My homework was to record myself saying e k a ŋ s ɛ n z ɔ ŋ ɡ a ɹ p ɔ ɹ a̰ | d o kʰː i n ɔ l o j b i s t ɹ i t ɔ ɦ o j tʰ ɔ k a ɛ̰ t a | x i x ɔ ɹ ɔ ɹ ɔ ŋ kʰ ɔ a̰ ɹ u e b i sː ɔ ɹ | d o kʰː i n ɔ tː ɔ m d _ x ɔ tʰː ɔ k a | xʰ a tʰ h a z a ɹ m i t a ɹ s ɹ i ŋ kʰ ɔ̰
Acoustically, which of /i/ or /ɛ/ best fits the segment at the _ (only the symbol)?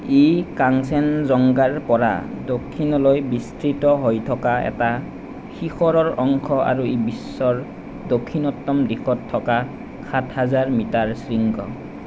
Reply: i